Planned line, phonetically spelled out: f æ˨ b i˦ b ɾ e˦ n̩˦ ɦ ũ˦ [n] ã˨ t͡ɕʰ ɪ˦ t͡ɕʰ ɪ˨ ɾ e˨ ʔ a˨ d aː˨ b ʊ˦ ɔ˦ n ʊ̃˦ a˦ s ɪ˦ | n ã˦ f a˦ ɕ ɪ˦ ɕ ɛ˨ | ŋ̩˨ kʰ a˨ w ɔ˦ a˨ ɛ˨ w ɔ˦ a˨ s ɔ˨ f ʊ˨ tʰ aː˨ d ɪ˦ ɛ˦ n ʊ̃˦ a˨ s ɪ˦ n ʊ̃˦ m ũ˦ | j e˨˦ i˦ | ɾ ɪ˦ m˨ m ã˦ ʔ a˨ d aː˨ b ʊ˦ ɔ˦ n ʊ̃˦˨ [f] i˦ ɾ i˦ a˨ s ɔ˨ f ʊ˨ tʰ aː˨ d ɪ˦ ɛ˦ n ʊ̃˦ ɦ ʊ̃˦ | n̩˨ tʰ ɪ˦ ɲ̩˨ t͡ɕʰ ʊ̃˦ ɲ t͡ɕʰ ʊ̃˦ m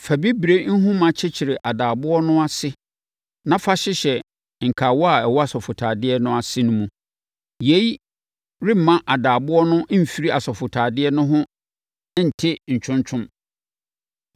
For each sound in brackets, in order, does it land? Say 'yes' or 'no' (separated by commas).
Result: no, yes